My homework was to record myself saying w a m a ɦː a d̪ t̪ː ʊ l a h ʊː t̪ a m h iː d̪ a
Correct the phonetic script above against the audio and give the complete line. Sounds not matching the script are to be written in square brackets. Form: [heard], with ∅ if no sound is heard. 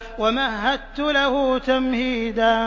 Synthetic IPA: w a m a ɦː a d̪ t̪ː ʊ l a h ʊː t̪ a m h iː d̪ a

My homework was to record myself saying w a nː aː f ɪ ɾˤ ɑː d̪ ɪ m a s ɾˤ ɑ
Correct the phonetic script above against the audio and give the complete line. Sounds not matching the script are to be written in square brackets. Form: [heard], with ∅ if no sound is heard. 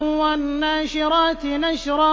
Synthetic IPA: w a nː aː [ʃ] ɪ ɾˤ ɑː [t̪] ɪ [n] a [ʃ] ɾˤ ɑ

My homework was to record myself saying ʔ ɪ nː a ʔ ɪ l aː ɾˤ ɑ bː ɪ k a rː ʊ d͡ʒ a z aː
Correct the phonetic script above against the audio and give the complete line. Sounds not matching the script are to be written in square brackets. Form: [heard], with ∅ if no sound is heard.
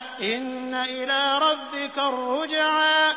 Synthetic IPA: ʔ ɪ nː a ʔ ɪ l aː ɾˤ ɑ bː ɪ k a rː ʊ d͡ʒ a [ʕ] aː

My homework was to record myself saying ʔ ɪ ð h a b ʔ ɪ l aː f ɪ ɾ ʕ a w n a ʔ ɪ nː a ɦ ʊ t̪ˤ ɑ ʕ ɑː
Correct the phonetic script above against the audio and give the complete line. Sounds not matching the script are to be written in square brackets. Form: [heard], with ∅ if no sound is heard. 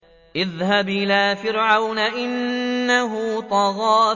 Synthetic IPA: ʔ ɪ ð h a b ʔ ɪ l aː f ɪ ɾ ʕ a w n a ʔ ɪ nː a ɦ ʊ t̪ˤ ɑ [ɣ] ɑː

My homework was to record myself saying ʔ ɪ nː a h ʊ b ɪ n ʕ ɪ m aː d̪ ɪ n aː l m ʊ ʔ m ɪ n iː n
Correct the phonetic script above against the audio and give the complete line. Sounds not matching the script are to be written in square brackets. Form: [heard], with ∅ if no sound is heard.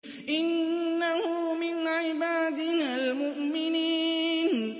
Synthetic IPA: ʔ ɪ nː a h ʊ [m] ɪ n ʕ ɪ [b] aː d̪ ɪ n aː l m ʊ ʔ m ɪ n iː n

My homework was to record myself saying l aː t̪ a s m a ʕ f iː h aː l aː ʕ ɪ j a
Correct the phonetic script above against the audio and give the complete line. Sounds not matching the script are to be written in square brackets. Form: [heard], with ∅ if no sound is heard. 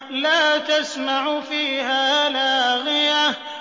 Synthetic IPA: l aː t̪ a s m a ʕ f iː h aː l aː [ɣ] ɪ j a

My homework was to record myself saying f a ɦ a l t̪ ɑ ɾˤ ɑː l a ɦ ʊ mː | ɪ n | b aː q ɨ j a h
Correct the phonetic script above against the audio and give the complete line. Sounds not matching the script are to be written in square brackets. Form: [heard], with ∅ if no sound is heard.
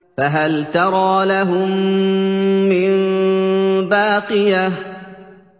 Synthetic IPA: f a ɦ a l t̪ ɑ ɾˤ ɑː l a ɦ ʊ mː | ɪ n | b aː q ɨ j a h

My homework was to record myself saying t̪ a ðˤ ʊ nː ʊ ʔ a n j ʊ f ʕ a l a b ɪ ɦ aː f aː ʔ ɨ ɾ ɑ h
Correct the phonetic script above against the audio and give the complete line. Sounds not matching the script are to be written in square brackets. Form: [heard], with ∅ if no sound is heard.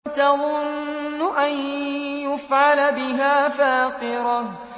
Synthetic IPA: t̪ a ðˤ ʊ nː ʊ ʔ a n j ʊ f ʕ a l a b ɪ ɦ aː f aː [q] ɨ ɾ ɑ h

